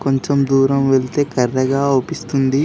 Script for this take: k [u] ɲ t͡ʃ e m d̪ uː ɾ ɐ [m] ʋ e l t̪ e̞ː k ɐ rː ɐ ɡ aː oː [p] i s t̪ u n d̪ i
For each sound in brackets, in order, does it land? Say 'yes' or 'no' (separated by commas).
no, yes, yes